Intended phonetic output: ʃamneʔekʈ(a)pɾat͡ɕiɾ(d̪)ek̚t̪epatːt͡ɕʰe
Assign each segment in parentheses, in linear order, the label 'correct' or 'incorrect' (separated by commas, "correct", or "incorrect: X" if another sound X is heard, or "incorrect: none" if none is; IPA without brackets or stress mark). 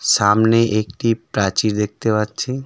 incorrect: i, correct